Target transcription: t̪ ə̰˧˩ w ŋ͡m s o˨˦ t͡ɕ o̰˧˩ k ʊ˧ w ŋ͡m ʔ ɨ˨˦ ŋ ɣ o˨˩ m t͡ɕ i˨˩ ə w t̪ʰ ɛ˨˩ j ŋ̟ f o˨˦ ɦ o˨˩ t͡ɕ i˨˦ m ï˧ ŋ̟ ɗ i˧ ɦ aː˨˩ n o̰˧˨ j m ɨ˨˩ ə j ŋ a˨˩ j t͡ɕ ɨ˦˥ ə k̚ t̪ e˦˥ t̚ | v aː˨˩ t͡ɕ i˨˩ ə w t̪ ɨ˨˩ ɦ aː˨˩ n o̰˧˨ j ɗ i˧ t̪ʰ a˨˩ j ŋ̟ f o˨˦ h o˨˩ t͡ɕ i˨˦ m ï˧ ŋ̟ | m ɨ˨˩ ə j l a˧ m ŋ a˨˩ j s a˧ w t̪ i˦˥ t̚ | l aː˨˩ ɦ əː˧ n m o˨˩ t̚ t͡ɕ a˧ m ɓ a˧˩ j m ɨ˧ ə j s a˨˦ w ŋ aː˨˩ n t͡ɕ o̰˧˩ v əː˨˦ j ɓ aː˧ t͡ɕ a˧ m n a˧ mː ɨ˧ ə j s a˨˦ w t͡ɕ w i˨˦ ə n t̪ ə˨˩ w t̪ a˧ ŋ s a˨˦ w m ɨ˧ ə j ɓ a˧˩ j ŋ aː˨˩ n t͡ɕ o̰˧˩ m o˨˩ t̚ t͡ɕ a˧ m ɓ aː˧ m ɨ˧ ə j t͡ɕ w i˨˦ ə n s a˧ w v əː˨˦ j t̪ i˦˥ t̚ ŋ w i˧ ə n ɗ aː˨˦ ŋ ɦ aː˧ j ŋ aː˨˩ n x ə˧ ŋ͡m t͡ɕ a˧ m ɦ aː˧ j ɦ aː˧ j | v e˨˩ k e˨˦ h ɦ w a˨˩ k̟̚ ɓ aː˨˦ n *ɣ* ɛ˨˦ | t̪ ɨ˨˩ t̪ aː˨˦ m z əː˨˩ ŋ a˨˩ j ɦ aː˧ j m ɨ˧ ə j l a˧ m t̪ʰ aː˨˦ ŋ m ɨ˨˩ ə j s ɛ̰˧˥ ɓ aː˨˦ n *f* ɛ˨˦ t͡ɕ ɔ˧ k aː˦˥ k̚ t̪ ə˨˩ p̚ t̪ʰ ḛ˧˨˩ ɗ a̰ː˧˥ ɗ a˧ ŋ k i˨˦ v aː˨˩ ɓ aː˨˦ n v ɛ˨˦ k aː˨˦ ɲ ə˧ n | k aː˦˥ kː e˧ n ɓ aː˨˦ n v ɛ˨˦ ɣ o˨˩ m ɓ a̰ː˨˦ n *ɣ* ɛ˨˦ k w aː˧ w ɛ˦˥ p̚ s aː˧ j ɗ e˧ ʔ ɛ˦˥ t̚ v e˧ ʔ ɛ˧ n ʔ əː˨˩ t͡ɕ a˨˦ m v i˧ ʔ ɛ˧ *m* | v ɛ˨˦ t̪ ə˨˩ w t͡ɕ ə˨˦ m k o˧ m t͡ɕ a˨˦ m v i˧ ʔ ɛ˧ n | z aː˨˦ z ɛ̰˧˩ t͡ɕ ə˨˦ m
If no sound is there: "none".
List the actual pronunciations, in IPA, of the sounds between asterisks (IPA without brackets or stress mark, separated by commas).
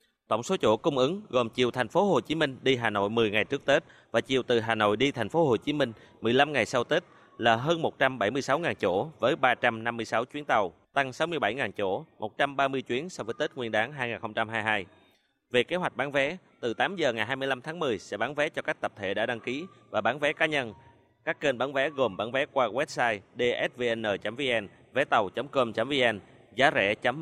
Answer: v, v, v, n